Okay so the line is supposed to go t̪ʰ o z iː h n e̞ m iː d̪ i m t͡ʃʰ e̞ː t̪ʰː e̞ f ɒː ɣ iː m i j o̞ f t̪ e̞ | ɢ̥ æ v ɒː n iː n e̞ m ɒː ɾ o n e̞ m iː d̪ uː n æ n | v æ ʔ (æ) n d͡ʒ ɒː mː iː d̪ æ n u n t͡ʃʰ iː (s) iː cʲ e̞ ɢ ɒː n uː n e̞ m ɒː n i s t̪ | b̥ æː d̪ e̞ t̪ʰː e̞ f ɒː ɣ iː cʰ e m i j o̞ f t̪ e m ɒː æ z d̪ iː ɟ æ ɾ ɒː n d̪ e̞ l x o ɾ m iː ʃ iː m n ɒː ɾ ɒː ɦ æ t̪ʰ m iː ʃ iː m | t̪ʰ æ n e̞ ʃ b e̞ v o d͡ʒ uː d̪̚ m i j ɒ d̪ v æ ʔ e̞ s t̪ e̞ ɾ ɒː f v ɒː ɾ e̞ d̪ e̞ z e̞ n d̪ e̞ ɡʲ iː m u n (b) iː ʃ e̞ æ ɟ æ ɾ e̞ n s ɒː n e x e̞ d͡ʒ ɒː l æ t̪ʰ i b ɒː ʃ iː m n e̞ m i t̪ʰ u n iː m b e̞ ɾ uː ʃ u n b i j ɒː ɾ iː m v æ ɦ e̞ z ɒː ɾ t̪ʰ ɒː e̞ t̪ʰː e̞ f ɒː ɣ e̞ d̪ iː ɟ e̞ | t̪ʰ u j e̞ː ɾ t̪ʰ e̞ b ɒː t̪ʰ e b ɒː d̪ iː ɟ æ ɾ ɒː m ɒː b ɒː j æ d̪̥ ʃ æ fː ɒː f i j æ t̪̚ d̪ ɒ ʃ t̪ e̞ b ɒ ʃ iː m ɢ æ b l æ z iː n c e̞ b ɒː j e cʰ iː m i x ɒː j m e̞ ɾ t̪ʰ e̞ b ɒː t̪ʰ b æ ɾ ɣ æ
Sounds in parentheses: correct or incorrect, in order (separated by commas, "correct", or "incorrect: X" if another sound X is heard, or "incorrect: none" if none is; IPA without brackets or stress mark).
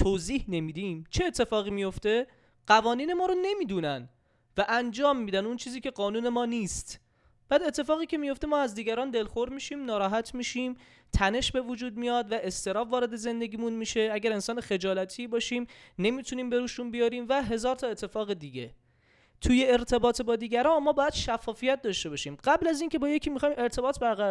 correct, incorrect: z, incorrect: m